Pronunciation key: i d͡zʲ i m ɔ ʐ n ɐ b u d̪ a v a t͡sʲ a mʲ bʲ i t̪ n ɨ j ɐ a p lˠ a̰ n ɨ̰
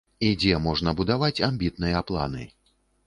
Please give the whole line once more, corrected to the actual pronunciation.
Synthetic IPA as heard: i d͡zʲ ɛ m ɔ ʐ n ɐ b u d̪ a v a t͡sʲ a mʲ bʲ i t̪ n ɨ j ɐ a p lˠ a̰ n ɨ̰